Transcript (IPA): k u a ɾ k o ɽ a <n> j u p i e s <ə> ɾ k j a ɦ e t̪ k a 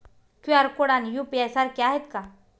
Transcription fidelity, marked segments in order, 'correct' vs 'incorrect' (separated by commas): correct, incorrect